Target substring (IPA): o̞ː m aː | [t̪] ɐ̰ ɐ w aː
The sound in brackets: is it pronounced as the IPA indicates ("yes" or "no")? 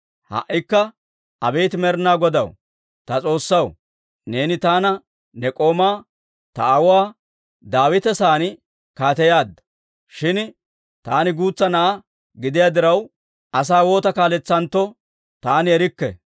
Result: yes